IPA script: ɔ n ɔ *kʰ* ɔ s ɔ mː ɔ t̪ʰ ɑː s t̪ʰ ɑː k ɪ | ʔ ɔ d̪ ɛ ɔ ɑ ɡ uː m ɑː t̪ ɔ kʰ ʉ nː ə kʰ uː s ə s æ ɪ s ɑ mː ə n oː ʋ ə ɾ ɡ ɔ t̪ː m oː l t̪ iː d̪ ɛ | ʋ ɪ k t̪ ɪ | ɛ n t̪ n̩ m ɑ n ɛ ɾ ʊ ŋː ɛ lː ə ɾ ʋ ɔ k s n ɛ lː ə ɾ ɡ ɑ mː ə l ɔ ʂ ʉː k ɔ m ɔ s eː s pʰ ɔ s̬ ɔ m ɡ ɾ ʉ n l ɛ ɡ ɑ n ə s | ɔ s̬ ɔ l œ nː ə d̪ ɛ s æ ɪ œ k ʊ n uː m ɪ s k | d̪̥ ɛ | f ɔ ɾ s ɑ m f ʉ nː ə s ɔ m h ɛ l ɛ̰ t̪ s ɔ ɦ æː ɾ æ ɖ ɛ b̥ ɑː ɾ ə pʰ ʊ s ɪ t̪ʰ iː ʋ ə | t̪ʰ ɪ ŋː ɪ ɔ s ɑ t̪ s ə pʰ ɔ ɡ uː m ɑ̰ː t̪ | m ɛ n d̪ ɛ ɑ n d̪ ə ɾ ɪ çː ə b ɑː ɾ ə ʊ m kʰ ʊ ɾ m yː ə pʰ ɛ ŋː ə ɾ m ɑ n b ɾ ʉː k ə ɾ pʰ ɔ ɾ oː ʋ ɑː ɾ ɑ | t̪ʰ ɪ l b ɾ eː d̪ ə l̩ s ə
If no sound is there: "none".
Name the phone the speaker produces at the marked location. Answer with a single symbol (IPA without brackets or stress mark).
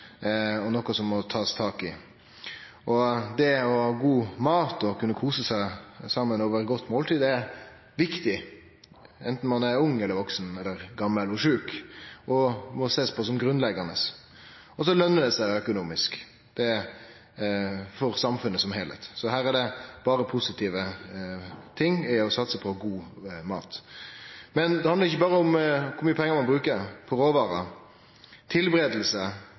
k